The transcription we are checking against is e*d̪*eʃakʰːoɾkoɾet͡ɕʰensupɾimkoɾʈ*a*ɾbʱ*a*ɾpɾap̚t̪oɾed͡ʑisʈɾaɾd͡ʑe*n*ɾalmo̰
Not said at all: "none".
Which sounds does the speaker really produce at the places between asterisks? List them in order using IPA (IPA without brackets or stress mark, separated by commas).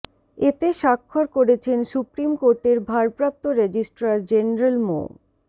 t̪, e, a, n